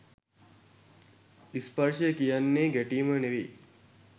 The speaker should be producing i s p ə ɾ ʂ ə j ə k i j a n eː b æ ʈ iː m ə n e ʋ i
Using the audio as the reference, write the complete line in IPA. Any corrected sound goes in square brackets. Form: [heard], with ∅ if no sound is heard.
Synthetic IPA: i s p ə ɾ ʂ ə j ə k i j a [nː] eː [ɡ] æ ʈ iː m ə n e ʋ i